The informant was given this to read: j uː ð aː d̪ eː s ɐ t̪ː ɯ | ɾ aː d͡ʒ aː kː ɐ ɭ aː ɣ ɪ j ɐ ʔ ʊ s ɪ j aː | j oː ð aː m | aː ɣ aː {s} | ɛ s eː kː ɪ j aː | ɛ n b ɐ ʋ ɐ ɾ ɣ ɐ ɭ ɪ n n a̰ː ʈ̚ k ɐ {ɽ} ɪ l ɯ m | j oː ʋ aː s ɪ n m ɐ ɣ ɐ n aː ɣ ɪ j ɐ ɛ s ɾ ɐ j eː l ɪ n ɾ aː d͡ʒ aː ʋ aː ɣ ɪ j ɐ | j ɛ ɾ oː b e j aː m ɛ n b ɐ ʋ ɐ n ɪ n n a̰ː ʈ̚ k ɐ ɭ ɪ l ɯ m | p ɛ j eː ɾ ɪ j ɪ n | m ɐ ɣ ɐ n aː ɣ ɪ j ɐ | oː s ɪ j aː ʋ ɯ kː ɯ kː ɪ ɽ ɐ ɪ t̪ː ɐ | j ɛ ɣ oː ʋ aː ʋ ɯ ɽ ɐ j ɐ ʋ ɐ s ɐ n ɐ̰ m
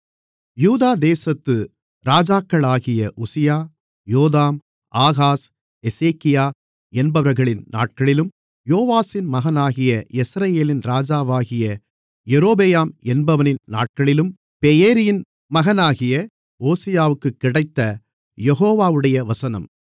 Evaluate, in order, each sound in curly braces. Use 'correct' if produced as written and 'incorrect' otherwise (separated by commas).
correct, incorrect